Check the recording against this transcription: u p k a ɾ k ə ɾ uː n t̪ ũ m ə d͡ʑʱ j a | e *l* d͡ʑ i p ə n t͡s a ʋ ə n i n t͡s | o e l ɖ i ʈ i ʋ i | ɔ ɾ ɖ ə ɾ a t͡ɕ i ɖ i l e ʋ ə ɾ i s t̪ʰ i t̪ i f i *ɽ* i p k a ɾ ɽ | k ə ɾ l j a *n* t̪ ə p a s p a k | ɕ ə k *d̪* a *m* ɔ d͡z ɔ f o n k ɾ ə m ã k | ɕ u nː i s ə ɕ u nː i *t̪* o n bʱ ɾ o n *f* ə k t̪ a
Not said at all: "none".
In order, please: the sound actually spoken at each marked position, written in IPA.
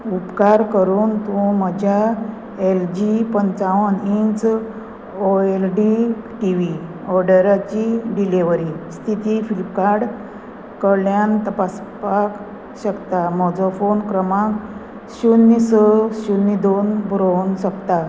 l, l, n, t̪, m, d̪, ɕ

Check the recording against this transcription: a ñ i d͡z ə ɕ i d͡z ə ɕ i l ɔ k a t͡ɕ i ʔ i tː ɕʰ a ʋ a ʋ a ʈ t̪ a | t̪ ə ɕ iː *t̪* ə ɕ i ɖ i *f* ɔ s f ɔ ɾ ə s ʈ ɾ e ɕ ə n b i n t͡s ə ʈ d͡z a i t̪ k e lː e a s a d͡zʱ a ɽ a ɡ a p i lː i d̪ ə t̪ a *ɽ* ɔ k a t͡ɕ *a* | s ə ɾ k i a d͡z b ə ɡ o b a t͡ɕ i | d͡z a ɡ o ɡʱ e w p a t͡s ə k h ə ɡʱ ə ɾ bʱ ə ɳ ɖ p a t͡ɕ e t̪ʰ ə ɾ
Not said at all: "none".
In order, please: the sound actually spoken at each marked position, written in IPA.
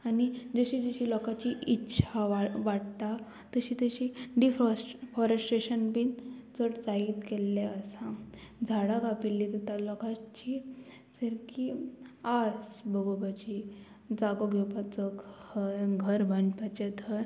t̪, f, l, i

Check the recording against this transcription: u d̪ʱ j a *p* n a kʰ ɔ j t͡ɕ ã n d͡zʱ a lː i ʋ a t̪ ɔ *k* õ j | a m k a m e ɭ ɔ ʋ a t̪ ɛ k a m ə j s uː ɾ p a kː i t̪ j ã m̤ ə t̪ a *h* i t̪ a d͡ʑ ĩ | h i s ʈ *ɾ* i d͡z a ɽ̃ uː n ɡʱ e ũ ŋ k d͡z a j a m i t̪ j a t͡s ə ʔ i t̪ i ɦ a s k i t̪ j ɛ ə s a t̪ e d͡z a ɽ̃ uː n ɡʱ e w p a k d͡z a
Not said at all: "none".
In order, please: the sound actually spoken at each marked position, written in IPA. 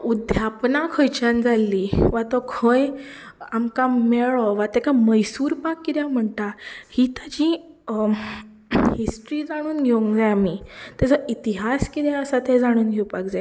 p, kʰ, h, ɾ

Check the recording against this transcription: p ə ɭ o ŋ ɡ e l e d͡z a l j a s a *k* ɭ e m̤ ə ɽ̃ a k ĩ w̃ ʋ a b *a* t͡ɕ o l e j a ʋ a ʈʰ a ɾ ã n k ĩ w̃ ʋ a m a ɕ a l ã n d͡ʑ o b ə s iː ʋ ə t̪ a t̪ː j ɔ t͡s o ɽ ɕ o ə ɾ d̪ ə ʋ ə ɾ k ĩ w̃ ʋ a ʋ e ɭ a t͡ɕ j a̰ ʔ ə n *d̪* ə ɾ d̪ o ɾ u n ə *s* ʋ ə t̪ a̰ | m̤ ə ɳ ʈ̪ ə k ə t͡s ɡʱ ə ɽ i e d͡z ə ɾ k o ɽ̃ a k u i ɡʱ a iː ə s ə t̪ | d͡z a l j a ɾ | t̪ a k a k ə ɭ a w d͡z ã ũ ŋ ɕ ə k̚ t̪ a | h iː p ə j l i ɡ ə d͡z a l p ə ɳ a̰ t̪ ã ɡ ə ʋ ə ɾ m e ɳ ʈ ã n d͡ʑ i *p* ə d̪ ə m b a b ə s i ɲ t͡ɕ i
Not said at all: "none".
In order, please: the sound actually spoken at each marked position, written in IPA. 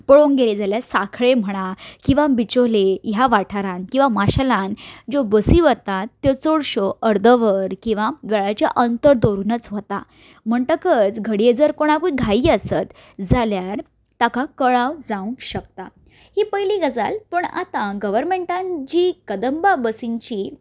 kʰ, i, t̪, t͡s, k

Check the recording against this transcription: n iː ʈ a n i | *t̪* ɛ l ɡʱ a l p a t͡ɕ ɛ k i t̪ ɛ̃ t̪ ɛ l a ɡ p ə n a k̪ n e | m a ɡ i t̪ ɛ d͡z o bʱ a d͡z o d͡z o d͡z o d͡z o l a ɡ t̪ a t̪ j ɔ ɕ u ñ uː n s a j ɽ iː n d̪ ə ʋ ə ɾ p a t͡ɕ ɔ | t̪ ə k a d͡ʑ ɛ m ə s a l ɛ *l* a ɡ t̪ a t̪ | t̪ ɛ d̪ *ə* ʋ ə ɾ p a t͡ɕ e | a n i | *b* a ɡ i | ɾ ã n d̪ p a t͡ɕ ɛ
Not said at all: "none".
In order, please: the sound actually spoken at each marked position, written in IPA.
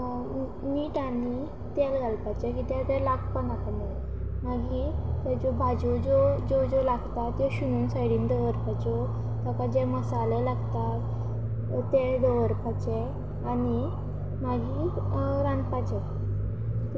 t̪, l, ə, m

